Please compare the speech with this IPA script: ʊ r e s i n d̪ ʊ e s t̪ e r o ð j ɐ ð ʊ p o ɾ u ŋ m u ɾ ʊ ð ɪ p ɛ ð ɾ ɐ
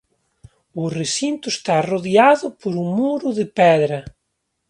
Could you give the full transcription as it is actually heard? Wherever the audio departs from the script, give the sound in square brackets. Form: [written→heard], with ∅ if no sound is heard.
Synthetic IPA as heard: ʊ r e s i n [d̪→t̪] ʊ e s t̪ [e→a] r o ð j [ɐ→a] ð ʊ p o ɾ u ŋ m u ɾ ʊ ð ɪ p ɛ ð ɾ ɐ